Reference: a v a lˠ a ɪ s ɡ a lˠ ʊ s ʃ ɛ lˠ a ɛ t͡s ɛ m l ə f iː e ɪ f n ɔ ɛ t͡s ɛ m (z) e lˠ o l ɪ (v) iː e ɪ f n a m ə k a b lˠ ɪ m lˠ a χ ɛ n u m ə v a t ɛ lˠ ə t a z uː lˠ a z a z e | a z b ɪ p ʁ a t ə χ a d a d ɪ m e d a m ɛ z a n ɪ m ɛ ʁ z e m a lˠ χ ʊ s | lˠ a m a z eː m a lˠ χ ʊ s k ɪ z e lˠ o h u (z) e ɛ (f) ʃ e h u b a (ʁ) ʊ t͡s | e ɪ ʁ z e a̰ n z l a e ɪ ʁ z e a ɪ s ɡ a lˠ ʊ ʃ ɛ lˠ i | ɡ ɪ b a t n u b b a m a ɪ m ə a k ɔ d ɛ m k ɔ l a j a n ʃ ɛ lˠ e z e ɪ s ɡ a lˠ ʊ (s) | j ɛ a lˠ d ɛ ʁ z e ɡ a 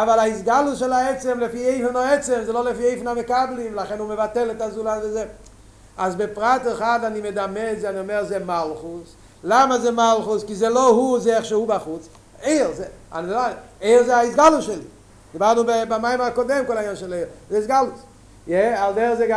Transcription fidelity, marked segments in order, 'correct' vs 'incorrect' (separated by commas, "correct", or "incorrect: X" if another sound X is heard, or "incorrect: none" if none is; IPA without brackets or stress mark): correct, incorrect: f, correct, incorrect: χ, incorrect: χ, correct